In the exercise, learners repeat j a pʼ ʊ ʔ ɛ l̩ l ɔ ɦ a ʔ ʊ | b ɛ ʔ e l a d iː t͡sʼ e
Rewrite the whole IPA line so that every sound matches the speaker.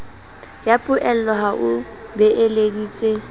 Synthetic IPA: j a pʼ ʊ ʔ ɛ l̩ l ɔ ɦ a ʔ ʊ | b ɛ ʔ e l e d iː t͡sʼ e